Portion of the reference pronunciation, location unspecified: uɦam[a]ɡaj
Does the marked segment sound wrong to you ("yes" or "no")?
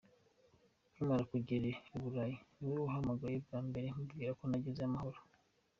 no